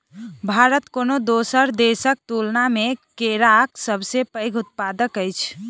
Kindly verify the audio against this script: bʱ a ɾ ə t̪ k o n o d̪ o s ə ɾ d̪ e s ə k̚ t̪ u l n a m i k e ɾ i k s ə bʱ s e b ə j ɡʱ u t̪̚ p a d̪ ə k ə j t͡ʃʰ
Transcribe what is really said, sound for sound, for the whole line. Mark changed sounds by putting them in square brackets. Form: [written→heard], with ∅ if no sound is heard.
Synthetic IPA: bʱ a ɾ ə t̪ k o n o d̪ o s ə ɾ d̪ e s ə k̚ t̪ u l n a m [i→e] k e ɾ [i→a] k s ə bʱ s e [b→p] ə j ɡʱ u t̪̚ p a d̪ ə k ə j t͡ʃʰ

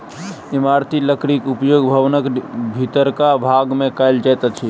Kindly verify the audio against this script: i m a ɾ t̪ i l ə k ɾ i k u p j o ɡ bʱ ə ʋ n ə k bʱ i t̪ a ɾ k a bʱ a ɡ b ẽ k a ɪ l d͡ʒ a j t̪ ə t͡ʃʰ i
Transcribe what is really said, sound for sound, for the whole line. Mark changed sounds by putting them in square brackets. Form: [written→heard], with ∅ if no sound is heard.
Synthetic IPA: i m a ɾ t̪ i l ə k ɾ i k u p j o ɡ bʱ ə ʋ n ə k bʱ i t̪ [a→ə] ɾ k a bʱ a ɡ [b→m] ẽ k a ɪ l d͡ʒ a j t̪ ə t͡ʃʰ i

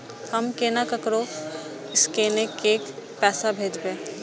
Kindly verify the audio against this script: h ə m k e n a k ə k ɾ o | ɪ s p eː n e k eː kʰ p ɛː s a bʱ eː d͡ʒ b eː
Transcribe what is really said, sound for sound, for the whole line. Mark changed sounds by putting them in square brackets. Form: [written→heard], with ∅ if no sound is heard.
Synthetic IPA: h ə m k e n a k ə k ɾ o | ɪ s [p→k] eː n e k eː [kʰ→k] p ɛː s a bʱ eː d͡ʒ b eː

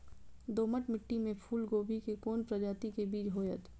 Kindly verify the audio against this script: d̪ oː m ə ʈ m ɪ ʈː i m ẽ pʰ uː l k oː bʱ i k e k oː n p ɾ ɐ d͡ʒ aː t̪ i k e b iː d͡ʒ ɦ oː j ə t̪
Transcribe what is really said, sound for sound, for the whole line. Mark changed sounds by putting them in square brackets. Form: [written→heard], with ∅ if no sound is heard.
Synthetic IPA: d̪ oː m ə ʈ m ɪ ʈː i m ẽ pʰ uː l [k→ɡ] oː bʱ i k e k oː n p ɾ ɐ d͡ʒ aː t̪ i k e b iː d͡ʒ ɦ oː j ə t̪

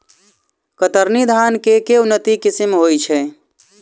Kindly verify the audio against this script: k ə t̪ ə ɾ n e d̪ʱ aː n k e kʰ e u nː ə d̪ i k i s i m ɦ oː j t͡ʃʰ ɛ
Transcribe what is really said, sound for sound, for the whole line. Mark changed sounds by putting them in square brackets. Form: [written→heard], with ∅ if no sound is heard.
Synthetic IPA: k ə t̪ ə ɾ n [e→i] d̪ʱ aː n k e [kʰ→k] e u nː ə [d̪→t̪] i k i s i m ɦ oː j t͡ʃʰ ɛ

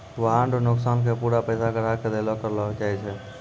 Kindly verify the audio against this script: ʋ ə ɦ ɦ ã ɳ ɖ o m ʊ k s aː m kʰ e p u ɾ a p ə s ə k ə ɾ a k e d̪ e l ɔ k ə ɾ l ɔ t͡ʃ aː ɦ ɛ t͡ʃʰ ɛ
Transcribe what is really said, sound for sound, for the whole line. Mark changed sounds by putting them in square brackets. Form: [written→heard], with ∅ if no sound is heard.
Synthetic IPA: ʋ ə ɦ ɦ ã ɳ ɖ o [m→n] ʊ k s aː [m→n] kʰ e p u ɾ a p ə s [ə→a] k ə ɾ a k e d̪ e l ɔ k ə ɾ l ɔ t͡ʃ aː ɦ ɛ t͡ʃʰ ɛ

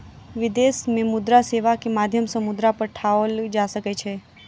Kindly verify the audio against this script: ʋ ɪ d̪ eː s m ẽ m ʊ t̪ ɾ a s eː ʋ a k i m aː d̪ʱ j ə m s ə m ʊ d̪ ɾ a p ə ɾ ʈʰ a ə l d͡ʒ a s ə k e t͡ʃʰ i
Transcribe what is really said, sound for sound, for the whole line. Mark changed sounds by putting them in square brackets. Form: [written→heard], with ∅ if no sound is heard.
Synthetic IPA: ʋ ɪ d̪ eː s m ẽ m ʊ [t̪→d̪] ɾ a s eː ʋ a k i m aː d̪ʱ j ə m s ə m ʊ d̪ ɾ a p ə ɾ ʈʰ a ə l d͡ʒ a s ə k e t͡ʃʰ [i→e]

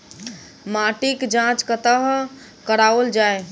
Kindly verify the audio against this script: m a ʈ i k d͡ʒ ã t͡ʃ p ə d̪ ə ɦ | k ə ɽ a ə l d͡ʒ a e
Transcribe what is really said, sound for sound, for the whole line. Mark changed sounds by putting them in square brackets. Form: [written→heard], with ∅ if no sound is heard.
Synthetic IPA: m a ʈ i k d͡ʒ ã t͡ʃ [p→k] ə [d̪→t̪] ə ɦ | k ə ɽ a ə l d͡ʒ a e

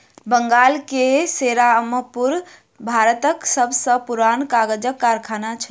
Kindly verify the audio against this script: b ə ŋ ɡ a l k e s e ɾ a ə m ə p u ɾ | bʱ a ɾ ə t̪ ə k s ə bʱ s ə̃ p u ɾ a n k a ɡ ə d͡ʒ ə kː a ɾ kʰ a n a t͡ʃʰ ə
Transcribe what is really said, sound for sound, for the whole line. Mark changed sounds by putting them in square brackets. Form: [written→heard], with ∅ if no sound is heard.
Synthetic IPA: b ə ŋ ɡ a l k e s e ɾ a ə m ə p u ɾ | bʱ a ɾ ə t̪ ə k s ə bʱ s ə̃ p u ɾ a n k a ɡ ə d͡ʒ ə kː a ɾ kʰ a n a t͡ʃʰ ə

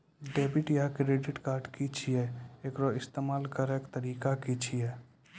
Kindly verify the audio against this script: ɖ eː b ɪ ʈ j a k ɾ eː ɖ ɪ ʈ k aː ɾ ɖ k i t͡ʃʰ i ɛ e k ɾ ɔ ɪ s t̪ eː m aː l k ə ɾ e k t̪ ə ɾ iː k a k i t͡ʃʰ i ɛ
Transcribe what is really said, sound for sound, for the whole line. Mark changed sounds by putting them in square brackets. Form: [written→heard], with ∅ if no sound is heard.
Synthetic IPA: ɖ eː b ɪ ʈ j a k ɾ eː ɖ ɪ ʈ k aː ɾ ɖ k i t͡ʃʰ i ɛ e k ɾ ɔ ɪ s t̪ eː m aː l k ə ɾ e k t̪ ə ɾ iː k a k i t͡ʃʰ i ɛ

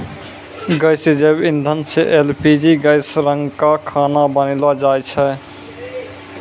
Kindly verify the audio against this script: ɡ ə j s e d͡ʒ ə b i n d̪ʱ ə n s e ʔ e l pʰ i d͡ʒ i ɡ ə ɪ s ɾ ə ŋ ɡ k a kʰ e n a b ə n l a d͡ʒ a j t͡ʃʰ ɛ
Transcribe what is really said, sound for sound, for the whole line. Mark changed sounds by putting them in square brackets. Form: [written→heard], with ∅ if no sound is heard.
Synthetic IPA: ɡ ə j s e d͡ʒ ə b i n d̪ʱ ə n s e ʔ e l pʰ i d͡ʒ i ɡ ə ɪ s ɾ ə ŋ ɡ k a kʰ [e→a] n a b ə n l a d͡ʒ a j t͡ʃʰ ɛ

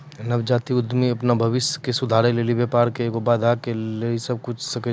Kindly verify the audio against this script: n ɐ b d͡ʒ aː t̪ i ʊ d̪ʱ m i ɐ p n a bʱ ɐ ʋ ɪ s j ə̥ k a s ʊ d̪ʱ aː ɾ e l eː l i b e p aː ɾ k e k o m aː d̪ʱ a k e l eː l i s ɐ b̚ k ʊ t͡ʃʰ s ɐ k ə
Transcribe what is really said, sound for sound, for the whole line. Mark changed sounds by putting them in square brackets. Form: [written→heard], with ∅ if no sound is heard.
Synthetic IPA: n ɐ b d͡ʒ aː t̪ i ʊ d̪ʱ m i ɐ p n a bʱ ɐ ʋ ɪ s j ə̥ k [a→e] s ʊ d̪ʱ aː ɾ e l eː l i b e p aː ɾ k e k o [m→b] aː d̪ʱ a k e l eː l i s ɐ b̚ k ʊ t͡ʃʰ s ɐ k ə

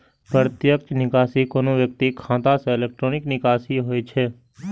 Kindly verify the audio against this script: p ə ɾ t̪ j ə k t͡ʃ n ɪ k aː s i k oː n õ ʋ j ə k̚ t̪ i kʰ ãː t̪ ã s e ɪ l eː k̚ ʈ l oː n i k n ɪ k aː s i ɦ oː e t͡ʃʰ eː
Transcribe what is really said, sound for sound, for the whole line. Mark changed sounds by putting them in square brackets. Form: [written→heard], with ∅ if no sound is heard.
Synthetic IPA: p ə ɾ t̪ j ə k t͡ʃ n ɪ k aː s i k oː n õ ʋ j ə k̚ t̪ i kʰ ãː t̪ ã s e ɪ l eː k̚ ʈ [l→ɾ] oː n [i→ɪ] k n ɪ k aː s i ɦ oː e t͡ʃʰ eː

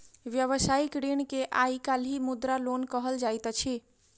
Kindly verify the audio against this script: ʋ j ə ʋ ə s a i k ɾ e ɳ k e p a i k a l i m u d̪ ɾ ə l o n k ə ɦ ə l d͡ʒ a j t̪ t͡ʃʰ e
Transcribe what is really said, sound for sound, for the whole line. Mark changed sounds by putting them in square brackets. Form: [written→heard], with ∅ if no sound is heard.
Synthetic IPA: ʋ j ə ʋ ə s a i k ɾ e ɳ k e [p→ʔ] a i k a l i m u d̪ ɾ [ə→a] l o n k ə ɦ ə l d͡ʒ a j t̪ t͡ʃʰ [e→i]

